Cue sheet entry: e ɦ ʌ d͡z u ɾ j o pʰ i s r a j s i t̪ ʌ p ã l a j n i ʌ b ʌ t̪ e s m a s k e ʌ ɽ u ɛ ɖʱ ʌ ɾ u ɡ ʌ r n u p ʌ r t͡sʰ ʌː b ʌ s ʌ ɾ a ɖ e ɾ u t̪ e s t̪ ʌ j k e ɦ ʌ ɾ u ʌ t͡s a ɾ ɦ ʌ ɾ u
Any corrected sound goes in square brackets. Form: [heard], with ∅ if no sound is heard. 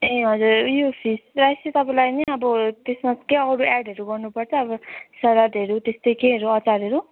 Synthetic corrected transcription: e ɦ ʌ d͡z u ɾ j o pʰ i s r a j s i t̪ ʌ p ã l a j n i ʌ b ʌ t̪ e s m a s k e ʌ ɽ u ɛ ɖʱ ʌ ɾ u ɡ ʌ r n u p ʌ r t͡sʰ ʌː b ʌ s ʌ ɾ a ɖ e ɾ u t̪ e s t̪ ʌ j k e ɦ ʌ ɾ u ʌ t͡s a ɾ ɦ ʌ ɾ u